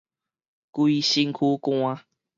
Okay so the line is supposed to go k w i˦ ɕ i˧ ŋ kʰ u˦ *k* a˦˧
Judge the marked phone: correct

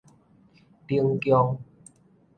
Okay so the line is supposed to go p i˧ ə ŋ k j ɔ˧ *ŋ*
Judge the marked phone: correct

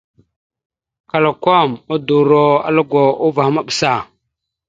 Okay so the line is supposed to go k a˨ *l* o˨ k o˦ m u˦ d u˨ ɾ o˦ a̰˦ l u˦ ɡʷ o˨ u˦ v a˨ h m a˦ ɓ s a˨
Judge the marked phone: correct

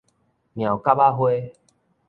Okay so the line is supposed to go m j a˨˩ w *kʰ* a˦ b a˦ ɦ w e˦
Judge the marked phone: incorrect: k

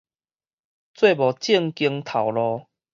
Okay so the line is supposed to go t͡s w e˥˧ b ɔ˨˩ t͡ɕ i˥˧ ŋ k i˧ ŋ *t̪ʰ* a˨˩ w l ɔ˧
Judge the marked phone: correct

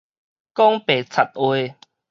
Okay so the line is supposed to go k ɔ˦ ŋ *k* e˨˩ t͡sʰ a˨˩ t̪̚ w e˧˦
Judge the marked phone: incorrect: p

